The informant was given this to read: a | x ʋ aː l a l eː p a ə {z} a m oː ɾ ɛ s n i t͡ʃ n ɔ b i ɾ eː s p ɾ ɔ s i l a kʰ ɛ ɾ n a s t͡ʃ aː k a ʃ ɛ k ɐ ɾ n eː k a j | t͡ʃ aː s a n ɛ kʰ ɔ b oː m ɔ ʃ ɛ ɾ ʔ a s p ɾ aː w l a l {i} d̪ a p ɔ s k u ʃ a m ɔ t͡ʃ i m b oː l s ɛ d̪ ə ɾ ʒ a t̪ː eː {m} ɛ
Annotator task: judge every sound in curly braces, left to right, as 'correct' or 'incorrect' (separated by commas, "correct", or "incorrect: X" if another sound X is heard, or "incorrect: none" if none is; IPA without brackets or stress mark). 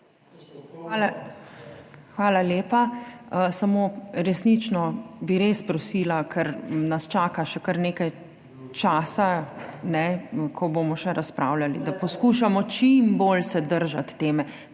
incorrect: s, correct, correct